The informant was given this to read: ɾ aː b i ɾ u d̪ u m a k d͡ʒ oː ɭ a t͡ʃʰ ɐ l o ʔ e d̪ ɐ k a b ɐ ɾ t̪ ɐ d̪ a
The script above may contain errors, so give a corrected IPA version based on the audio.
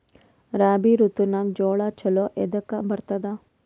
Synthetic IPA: ɾ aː b i ɾ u t̪ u n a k d͡ʒ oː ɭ a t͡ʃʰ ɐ l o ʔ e d̪ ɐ k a b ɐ ɾ t̪ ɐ d̪ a